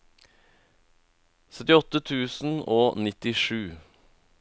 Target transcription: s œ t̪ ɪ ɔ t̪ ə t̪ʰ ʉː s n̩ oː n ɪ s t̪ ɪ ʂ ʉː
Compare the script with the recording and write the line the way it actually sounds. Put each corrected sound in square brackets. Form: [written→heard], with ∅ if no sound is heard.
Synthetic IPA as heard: s œ t̪ ɪ ɔ t̪ ə t̪ʰ ʉː s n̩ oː n ɪ [s→∅] t̪ ɪ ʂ ʉː